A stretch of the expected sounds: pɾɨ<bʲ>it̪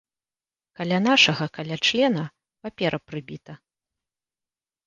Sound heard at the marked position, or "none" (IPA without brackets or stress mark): bʲ